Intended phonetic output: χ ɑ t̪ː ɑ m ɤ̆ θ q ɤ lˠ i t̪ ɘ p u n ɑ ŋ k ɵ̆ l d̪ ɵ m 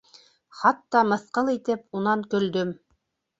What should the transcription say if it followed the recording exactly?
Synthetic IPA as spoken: χ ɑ t̪ː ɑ m ɤ̆ θ q ɤ lˠ i t̪ ɘ p u n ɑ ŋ k ɵ̆ l d̪ ɵ m